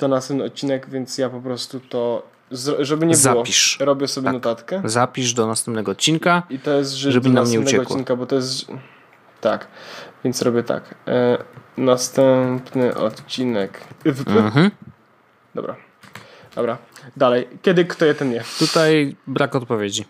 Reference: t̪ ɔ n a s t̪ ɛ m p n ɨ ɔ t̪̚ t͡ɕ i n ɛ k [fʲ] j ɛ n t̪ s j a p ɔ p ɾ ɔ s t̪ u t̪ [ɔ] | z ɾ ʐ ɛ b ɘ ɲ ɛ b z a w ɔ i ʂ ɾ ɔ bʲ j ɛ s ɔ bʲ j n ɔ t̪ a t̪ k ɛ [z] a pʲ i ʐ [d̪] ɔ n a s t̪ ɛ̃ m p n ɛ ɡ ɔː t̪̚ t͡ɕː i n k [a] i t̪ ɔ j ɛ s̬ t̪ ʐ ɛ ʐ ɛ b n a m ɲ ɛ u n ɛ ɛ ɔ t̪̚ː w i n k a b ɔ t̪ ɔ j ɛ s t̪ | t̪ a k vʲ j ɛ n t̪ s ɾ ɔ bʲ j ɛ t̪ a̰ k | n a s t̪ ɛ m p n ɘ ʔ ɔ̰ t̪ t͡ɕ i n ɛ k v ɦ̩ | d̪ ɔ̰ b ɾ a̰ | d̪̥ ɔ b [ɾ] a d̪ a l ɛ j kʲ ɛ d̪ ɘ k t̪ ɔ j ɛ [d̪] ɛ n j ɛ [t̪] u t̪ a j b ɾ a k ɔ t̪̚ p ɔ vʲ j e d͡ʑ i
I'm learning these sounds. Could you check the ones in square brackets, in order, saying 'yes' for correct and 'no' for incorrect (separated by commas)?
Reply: no, yes, yes, yes, yes, yes, no, yes